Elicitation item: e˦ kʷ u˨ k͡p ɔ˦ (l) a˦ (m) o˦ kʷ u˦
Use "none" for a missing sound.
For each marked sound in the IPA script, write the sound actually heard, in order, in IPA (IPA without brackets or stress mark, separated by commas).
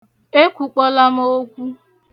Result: l, m